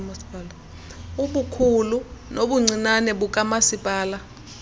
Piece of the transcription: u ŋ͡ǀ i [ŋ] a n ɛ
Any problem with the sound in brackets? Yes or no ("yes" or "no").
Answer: yes